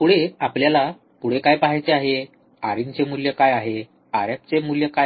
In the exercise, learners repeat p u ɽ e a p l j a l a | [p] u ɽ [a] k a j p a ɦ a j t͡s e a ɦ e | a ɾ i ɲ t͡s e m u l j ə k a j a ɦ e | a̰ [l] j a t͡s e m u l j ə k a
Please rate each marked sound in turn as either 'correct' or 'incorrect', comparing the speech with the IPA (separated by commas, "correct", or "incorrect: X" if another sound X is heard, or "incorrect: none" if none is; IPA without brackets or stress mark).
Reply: correct, incorrect: e, incorrect: ɾ